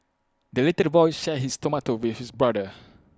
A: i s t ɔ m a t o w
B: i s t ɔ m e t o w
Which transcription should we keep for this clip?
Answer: A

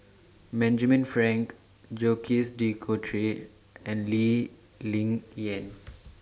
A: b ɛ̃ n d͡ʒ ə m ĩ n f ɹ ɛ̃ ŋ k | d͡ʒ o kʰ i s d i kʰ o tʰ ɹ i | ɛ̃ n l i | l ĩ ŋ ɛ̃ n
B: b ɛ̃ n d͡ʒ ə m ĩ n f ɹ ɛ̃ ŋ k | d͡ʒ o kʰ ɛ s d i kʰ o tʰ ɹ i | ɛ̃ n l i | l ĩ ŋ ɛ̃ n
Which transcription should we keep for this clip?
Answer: A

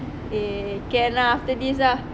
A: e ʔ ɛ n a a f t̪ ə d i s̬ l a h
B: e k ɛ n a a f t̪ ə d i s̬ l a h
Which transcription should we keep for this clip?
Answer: B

